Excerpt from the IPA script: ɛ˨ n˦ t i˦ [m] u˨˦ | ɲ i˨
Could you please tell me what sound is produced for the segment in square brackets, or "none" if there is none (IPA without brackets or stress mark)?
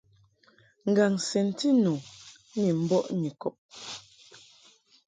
n